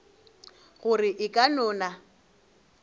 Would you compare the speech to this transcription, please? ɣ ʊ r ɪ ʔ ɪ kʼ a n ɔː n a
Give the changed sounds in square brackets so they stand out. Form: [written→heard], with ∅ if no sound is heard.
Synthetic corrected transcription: ɣ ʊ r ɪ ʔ ɪ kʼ a n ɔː n a